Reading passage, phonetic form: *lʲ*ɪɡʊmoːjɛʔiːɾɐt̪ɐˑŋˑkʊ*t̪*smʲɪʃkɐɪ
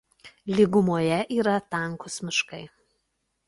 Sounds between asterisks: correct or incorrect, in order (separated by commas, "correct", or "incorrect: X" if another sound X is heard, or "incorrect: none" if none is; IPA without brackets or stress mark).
correct, incorrect: none